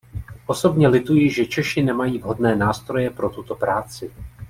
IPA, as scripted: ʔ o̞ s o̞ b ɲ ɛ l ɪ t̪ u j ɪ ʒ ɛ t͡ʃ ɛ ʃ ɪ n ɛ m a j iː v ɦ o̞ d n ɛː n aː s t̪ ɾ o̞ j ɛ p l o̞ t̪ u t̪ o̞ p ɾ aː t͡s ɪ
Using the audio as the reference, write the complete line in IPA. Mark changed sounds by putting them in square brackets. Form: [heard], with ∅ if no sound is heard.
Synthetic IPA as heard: ʔ o̞ s o̞ b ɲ ɛ l ɪ t̪ u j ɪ ʒ ɛ t͡ʃ ɛ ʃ ɪ n ɛ m a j iː v ɦ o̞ d n ɛː n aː s t̪ ɾ o̞ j ɛ p [ɾ] o̞ t̪ u t̪ o̞ p ɾ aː t͡s ɪ